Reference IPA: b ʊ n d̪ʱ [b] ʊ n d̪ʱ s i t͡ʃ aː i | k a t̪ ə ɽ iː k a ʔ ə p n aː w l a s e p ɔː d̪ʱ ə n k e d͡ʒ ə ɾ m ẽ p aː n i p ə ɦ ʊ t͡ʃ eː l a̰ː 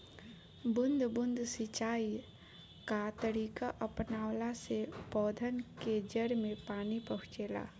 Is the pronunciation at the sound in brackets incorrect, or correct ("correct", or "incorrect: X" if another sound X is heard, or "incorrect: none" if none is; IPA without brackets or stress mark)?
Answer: correct